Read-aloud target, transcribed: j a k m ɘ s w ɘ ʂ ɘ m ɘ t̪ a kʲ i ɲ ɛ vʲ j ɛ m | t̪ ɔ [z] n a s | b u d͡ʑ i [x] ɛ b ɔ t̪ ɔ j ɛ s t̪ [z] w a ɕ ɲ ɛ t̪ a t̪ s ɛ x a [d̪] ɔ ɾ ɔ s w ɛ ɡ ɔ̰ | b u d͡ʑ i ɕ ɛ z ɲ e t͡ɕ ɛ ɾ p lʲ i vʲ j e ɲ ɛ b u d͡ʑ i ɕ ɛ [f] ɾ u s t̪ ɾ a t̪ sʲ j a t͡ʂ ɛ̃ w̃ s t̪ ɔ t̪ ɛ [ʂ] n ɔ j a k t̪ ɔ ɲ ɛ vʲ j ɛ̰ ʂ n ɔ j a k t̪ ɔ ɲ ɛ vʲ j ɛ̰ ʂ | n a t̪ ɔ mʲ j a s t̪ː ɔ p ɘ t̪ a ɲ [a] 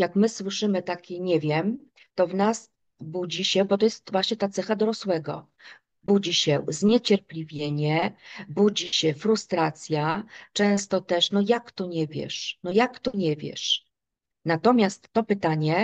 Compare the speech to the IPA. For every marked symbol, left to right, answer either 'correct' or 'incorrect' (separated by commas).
incorrect, incorrect, incorrect, correct, correct, correct, incorrect